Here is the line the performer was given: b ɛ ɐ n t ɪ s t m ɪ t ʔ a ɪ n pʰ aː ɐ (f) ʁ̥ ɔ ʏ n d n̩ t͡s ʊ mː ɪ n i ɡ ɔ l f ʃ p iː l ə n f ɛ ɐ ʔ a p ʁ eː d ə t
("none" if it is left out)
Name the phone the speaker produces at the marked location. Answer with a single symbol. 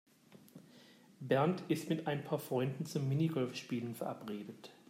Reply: f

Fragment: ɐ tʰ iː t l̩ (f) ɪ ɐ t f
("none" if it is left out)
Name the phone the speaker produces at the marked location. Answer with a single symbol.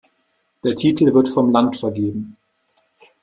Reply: v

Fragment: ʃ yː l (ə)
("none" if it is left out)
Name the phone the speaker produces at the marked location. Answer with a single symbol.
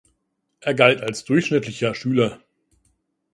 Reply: ɐ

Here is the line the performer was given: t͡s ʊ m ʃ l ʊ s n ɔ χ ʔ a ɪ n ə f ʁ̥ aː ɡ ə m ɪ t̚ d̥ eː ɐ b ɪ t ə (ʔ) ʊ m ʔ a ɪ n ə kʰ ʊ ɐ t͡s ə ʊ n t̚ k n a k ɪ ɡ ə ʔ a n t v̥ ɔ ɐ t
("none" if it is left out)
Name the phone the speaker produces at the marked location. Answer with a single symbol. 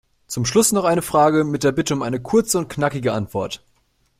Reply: none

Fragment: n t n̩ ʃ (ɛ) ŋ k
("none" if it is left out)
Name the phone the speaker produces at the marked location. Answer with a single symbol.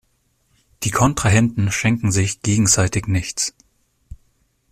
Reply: ɛ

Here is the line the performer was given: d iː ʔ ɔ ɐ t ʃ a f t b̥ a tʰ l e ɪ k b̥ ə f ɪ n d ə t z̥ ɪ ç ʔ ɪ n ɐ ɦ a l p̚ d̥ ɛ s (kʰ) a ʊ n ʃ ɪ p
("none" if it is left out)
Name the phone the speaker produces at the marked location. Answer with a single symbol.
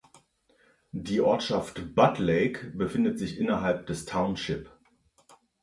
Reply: tʰ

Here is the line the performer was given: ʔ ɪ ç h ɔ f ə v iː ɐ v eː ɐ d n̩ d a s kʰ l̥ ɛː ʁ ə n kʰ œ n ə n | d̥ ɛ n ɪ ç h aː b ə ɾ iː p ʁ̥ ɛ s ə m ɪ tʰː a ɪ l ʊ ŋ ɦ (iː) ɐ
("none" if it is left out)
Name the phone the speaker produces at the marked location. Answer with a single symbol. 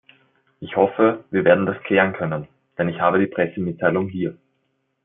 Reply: iː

